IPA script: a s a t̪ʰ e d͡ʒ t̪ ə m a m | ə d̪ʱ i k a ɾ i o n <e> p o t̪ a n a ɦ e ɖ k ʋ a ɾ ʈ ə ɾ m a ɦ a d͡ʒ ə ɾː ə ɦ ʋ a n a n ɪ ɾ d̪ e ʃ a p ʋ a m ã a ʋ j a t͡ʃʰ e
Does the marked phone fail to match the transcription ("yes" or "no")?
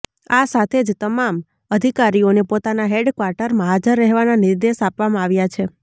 no